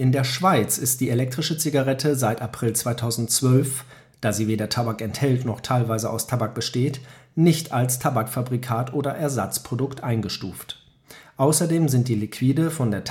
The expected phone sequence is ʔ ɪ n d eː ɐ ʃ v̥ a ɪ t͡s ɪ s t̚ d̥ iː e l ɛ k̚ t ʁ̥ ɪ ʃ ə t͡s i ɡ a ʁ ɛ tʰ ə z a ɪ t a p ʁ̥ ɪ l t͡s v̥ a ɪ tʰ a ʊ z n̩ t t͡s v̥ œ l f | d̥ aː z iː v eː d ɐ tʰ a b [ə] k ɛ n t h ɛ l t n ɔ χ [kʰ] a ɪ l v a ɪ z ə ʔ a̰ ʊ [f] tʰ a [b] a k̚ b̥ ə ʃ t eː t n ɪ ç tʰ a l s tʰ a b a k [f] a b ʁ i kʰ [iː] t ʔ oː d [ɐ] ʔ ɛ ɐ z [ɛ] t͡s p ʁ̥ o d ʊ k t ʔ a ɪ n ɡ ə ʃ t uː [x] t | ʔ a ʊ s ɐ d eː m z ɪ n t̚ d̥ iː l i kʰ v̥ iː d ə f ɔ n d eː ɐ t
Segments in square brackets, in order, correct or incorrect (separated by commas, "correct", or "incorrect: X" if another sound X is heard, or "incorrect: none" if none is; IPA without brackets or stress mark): incorrect: a, incorrect: tʰ, incorrect: s, correct, correct, incorrect: aː, correct, incorrect: a, incorrect: f